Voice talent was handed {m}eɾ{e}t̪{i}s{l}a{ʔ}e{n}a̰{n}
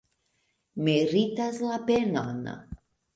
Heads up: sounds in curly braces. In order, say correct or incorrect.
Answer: correct, incorrect, incorrect, correct, incorrect, correct, correct

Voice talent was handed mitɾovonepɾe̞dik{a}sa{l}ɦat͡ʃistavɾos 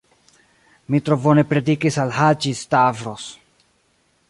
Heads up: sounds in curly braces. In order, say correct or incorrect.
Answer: incorrect, correct

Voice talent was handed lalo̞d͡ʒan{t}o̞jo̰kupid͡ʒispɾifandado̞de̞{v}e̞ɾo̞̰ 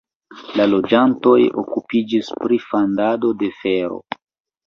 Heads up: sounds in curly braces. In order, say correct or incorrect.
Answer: correct, incorrect

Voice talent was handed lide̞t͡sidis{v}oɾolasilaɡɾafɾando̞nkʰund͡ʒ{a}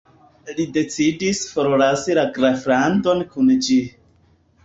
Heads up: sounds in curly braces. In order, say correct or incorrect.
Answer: incorrect, incorrect

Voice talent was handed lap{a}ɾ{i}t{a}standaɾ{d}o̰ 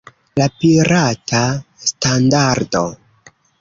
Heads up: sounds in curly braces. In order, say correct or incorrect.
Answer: incorrect, incorrect, correct, correct

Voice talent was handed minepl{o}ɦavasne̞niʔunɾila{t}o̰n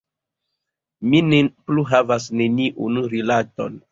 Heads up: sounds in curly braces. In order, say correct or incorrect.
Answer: incorrect, correct

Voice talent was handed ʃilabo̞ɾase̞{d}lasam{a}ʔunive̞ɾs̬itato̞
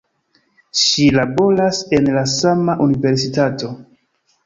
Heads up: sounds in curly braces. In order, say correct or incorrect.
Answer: incorrect, correct

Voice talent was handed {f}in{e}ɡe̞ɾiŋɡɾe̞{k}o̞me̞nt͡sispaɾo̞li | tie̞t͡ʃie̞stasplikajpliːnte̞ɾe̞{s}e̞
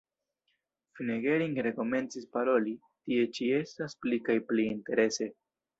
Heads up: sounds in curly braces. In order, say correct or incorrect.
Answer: correct, correct, correct, correct

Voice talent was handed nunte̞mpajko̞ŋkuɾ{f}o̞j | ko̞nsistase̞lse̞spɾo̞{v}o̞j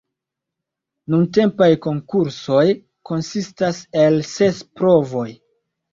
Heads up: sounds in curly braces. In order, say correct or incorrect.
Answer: incorrect, correct

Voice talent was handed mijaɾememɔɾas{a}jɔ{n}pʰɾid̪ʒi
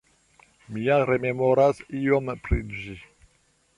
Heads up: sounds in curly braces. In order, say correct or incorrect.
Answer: incorrect, incorrect

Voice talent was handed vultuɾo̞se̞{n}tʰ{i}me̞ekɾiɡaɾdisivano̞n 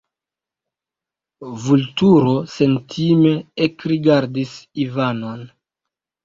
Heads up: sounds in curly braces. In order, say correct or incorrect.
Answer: correct, correct

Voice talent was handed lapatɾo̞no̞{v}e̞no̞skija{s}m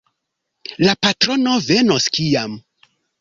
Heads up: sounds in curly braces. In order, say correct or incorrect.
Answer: correct, incorrect

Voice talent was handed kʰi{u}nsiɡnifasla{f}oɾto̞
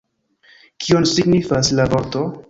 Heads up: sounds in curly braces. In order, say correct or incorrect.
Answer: incorrect, incorrect

